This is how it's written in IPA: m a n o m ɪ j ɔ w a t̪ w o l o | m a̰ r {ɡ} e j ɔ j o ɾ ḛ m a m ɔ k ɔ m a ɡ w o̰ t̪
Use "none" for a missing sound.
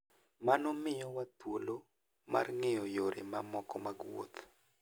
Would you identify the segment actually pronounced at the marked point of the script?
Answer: ŋ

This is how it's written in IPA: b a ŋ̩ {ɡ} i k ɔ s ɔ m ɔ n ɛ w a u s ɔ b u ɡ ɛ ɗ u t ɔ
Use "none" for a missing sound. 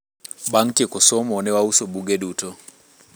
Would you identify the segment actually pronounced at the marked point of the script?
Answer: k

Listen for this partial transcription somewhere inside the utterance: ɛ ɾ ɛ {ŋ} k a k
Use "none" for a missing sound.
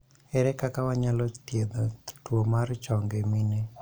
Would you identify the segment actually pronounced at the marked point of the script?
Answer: none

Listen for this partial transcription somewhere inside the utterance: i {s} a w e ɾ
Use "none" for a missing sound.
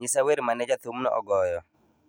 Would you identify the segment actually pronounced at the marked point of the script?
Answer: s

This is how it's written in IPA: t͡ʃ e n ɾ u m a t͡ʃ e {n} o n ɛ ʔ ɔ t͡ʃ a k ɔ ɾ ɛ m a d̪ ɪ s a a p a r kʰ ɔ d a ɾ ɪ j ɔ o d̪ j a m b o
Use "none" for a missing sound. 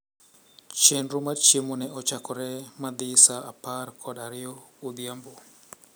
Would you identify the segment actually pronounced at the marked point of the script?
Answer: m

